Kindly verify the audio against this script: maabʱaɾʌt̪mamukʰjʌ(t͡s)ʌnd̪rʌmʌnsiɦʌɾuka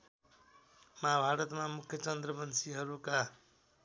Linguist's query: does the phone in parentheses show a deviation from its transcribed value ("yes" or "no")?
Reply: no